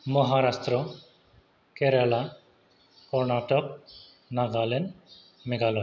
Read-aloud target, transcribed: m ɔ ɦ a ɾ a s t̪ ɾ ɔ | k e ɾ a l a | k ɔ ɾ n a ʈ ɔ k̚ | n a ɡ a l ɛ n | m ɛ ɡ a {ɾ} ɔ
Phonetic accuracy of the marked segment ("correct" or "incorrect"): incorrect